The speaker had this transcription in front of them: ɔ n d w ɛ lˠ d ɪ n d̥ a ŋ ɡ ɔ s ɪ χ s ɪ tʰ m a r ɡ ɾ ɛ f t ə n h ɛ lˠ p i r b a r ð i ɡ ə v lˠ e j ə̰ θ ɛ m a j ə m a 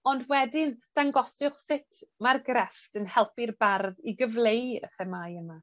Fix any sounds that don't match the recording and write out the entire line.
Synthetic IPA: ɔ n d w ɛ d ɪ n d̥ a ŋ ɡ ɔ s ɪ χ s ɪ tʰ m a r ɡ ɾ ɛ f t ə n h ɛ lˠ p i r b a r ð i ɡ ə v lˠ e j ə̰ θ ɛ m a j ə m a